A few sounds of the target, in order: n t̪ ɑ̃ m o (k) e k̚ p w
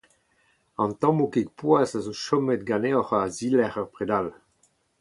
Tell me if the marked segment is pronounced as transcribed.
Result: yes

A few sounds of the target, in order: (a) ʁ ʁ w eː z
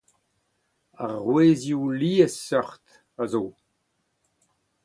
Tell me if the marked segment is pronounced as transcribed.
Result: yes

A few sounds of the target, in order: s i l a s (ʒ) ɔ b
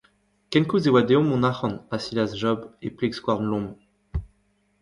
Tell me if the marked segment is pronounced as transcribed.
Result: yes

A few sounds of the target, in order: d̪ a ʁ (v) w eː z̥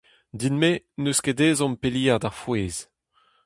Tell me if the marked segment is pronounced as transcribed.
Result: no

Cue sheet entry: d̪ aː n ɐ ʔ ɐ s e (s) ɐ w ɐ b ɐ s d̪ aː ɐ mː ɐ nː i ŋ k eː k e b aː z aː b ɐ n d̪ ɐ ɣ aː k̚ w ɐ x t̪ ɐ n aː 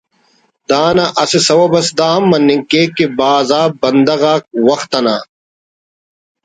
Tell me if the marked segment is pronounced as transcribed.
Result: yes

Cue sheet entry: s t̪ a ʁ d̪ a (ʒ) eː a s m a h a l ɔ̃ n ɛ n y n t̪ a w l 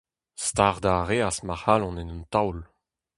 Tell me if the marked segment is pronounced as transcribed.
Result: no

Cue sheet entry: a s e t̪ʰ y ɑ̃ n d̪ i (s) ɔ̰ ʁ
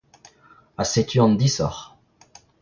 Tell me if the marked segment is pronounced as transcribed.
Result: yes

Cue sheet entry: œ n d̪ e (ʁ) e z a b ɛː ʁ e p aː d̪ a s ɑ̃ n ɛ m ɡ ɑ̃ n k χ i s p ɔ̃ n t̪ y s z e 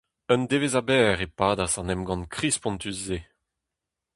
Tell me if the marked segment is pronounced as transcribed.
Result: no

